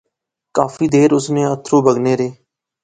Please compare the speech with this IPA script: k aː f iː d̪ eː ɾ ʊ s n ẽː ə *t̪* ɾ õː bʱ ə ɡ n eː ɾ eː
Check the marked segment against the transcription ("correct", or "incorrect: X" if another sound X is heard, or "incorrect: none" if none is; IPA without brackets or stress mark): incorrect: t̪ʰ